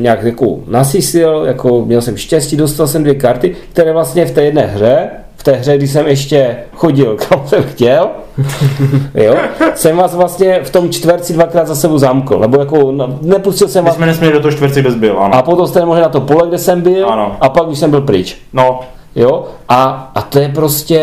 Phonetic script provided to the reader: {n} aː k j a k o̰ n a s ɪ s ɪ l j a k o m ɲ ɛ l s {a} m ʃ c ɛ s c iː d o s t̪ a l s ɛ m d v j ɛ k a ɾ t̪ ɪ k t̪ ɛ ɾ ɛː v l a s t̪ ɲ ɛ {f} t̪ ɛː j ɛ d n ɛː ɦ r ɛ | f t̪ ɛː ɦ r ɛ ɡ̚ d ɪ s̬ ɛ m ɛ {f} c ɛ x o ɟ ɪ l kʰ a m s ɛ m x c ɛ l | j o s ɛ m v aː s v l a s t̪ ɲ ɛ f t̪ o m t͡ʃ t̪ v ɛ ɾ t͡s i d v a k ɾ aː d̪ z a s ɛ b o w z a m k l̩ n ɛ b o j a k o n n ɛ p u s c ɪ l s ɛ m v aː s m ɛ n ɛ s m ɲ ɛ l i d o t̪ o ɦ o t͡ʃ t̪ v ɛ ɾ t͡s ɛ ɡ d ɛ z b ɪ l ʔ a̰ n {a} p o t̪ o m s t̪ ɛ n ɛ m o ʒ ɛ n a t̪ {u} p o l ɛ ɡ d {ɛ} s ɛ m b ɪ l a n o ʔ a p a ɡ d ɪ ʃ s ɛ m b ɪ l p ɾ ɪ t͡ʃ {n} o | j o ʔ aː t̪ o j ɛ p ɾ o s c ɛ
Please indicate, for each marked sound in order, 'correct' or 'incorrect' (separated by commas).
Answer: incorrect, incorrect, correct, incorrect, correct, incorrect, correct, correct